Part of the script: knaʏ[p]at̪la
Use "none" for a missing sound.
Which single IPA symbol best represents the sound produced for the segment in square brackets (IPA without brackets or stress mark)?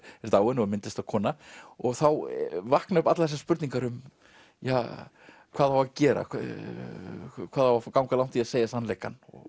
p